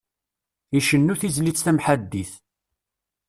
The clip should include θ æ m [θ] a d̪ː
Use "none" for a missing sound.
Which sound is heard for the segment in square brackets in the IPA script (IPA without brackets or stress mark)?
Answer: ħ